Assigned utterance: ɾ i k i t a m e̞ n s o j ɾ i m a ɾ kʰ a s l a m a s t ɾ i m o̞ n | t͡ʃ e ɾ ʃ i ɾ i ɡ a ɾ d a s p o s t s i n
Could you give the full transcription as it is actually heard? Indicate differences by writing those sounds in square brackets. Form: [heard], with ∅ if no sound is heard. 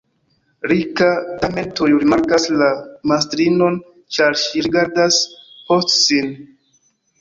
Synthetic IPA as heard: ɾ i k [a] t a m e̞ n [t] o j ɾ i m a ɾ [k] a s l a m a s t ɾ i [n] o̞ n | t͡ʃ [a] ɾ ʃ i ɾ i ɡ a ɾ d a s p o s t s i n